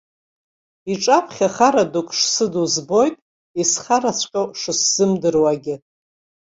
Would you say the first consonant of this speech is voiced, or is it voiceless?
voiceless